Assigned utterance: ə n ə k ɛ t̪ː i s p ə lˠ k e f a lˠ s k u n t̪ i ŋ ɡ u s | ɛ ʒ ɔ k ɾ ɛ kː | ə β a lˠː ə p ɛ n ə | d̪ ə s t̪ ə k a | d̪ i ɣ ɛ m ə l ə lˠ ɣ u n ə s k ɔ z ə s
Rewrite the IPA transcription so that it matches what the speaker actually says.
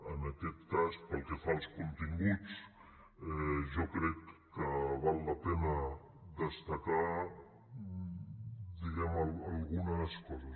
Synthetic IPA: ə n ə k ɛ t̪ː a s p ə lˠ k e f a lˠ s k u n t̪ i ŋ ɡ u t͡s | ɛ ʒ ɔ k ɾ ɛ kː | ə β a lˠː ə p ɛ n ə | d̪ ə s t̪ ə k a | d̪ i ɣ ɛ m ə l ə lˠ ɣ u n ə s k ɔ z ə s